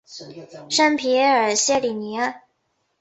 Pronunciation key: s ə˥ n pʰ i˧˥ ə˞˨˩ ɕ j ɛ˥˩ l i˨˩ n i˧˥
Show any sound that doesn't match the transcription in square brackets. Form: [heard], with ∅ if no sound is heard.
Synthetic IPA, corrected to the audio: [ʂ] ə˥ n pʰ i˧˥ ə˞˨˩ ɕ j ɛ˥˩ l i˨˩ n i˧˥